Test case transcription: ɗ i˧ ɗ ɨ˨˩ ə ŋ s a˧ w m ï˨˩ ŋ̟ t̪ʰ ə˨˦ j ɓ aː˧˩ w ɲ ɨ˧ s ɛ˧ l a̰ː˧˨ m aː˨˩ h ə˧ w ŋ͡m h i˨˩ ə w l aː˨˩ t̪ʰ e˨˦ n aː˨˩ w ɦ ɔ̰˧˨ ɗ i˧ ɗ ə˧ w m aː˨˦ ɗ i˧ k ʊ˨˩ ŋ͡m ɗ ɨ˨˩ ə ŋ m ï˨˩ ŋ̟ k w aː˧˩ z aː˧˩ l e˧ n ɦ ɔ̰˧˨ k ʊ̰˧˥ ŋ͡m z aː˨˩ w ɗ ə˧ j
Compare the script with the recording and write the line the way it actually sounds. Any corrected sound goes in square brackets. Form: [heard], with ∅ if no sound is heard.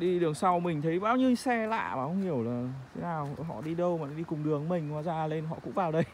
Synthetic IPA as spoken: ɗ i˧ ɗ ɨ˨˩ ə ŋ s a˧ w m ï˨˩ ŋ̟ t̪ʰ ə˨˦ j ɓ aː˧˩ w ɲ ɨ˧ s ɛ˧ l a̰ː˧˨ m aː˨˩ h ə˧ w ŋ͡m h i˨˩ ə w l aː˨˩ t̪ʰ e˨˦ n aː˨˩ w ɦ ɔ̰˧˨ ɗ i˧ ɗ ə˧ w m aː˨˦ ɗ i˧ k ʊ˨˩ ŋ͡m ɗ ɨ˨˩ ə ŋ m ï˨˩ ŋ̟ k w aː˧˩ z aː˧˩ l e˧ n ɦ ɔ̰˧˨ k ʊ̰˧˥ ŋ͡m [v] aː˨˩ w ɗ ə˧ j

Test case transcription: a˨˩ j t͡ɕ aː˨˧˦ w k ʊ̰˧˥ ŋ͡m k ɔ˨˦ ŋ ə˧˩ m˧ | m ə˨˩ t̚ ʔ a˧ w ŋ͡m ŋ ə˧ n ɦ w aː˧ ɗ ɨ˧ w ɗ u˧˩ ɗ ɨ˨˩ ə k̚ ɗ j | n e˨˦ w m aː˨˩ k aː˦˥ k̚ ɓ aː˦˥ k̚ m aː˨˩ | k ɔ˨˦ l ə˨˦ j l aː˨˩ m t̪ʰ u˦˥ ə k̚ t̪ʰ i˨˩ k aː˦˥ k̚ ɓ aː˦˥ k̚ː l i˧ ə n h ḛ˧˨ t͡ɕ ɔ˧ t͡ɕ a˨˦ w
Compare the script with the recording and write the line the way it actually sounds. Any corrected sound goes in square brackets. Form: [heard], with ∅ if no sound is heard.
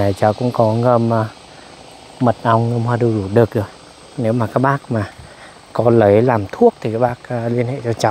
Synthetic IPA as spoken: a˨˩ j t͡ɕ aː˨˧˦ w k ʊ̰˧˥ ŋ͡m k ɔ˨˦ ŋ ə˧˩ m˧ | m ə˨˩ t̚ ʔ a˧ w ŋ͡m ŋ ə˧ [m] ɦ w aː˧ ɗ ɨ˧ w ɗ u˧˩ ɗ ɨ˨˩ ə k̚ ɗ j | n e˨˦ w m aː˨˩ k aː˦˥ k̚ ɓ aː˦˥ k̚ m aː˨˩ | k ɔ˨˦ l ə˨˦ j l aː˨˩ m t̪ʰ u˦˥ ə k̚ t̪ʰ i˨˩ k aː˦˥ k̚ ɓ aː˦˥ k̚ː l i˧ ə n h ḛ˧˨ t͡ɕ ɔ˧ t͡ɕ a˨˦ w

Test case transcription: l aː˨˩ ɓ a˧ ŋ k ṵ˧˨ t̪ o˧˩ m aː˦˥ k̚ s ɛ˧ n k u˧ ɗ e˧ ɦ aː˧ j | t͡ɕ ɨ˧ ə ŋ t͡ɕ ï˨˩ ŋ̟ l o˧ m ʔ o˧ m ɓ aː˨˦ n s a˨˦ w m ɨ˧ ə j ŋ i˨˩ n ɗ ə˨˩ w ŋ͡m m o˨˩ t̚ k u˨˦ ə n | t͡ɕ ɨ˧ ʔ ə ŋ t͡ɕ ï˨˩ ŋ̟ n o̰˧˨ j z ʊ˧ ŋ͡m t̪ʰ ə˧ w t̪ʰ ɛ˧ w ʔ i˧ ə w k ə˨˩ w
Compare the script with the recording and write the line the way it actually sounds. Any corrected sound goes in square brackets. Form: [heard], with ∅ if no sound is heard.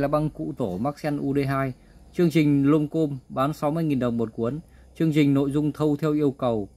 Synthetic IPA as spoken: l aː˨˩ ɓ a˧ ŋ k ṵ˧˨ t̪ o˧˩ m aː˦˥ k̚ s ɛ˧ n [ʔ] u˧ ɗ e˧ ɦ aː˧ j | t͡ɕ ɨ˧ ə ŋ t͡ɕ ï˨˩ ŋ̟ l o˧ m [k] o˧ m ɓ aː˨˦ n s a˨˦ w m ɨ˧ ə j ŋ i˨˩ n ɗ ə˨˩ w ŋ͡m m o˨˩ t̚ k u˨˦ ə n | t͡ɕ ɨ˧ [∅] ə ŋ t͡ɕ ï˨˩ ŋ̟ n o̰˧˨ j z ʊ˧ ŋ͡m t̪ʰ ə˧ w t̪ʰ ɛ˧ w ʔ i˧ ə w k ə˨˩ w

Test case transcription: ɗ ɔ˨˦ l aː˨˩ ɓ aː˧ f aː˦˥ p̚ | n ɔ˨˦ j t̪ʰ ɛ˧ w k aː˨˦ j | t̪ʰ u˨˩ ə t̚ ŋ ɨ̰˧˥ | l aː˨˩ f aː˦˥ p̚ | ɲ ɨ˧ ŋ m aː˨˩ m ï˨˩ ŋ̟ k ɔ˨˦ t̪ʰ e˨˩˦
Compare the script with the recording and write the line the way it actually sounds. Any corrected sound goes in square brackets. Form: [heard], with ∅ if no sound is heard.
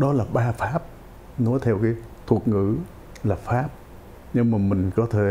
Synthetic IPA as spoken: ɗ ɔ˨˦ l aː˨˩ ɓ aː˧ f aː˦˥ p̚ | n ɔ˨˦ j t̪ʰ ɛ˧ w k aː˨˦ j | t̪ʰ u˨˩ ə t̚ ŋ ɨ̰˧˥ | l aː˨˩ f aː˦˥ p̚ | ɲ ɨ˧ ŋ m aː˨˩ m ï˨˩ ŋ̟ k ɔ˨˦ t̪ʰ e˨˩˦

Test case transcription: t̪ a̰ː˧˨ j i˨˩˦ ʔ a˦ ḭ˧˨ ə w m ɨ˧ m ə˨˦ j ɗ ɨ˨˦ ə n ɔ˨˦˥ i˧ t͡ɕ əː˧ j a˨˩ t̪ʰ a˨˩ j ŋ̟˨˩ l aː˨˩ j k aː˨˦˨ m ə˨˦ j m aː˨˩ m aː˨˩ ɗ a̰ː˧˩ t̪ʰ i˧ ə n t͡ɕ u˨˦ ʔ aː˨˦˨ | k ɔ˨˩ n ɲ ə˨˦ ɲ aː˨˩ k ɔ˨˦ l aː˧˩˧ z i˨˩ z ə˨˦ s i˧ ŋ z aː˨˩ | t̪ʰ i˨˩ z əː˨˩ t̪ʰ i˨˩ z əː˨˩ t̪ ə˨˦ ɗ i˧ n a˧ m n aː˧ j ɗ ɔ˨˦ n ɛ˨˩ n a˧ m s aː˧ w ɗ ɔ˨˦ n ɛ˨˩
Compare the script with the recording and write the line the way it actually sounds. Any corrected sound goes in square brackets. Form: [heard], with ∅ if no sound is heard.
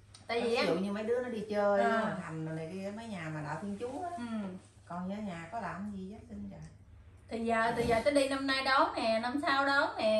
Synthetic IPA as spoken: t̪ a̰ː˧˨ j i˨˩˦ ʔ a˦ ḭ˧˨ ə w [ɲ] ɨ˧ m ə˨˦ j ɗ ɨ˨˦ ə n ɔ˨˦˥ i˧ t͡ɕ əː˧ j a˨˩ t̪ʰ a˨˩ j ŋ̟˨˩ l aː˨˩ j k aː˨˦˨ m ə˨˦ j [ɲ] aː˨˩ m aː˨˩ ɗ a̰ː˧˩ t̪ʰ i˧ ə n t͡ɕ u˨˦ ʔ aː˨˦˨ | k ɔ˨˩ n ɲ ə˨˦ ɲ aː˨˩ k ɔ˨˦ l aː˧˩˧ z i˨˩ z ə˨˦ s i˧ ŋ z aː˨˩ | t̪ʰ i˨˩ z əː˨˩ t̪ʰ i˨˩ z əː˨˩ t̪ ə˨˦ ɗ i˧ n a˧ m n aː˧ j ɗ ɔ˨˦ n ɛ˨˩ n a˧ m s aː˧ w ɗ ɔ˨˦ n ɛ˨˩

